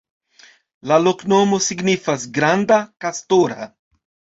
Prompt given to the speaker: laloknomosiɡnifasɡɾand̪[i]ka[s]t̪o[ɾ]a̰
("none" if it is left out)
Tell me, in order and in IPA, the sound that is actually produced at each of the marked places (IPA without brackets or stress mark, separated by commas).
a, s, ɾ